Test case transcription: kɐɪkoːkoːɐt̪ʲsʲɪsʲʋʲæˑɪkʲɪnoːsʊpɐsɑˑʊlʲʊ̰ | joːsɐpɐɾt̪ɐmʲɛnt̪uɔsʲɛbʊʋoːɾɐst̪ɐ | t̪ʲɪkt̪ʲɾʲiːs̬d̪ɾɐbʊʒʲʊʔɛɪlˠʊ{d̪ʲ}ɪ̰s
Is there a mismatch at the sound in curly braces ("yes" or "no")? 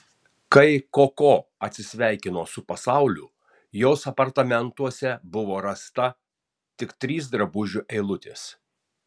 yes